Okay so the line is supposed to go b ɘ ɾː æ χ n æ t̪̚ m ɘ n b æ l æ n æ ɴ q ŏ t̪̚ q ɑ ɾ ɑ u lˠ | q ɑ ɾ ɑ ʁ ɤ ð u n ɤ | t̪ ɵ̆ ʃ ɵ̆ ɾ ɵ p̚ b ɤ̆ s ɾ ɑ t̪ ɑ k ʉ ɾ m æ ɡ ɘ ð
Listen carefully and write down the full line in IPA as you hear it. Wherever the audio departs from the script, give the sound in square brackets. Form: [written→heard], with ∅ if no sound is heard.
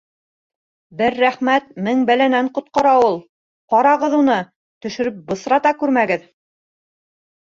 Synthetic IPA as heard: b ɘ ɾː æ χ [n→m] æ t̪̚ m ɘ [n→ŋ] b æ l æ n æ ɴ q ŏ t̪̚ q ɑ ɾ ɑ u lˠ | q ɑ ɾ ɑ ʁ ɤ ð u n ɤ | t̪ ɵ̆ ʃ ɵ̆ ɾ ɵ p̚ b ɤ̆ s ɾ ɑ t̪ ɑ k ʉ ɾ m æ ɡ ɘ ð